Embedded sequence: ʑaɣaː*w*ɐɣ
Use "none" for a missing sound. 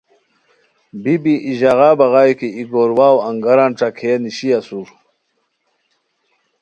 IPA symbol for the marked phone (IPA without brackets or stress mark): b